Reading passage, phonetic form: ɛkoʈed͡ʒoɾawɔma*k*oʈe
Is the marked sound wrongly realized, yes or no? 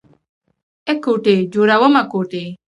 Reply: no